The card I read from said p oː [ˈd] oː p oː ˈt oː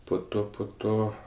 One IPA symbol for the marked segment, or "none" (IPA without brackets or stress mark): t